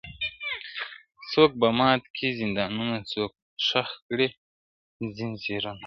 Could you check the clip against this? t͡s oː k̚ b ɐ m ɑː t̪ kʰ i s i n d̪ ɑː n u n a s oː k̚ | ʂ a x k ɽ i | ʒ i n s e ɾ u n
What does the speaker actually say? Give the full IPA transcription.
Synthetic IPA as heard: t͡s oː k̚ b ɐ m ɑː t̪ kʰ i z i n d̪ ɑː n u n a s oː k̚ | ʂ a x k ɽ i | z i n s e ɾ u n